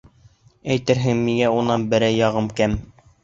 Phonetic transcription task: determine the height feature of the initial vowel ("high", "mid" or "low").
low